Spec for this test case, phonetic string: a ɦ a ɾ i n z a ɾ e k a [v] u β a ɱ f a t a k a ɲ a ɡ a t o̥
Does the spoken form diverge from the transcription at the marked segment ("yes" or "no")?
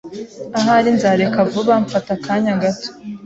no